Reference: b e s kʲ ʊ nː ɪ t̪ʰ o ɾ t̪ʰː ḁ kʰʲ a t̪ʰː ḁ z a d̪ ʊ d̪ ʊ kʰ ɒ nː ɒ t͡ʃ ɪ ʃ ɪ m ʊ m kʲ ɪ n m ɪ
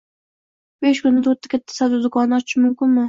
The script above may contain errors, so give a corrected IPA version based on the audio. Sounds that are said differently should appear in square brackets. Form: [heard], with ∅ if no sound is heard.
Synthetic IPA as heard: b e [ʃ] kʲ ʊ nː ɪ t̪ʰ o ɾ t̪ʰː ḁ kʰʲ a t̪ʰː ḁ [s] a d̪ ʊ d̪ ʊ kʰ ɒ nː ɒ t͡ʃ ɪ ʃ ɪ m ʊ m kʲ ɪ n m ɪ